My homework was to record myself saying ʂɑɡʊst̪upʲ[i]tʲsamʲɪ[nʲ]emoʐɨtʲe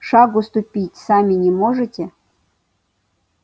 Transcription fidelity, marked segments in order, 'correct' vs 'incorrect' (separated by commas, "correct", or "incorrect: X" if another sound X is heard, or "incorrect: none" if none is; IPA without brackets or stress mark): correct, correct